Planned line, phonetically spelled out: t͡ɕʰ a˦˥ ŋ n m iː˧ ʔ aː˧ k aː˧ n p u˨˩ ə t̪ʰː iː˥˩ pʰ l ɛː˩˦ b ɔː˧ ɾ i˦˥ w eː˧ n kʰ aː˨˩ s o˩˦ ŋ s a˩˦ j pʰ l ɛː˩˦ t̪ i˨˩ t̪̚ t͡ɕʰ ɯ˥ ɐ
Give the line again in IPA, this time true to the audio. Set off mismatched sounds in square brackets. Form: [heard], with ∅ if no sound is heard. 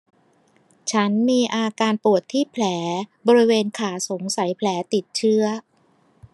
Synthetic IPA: t͡ɕʰ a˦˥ [∅] n m iː˧ ʔ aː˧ k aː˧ n p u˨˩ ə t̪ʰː iː˥˩ pʰ l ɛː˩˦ b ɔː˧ ɾ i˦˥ w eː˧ n kʰ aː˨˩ s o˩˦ ŋ s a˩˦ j pʰ l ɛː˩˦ t̪ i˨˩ t̪̚ t͡ɕʰ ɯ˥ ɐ